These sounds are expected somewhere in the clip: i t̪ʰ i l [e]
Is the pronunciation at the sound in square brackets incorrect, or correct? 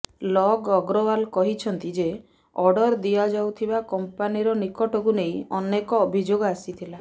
incorrect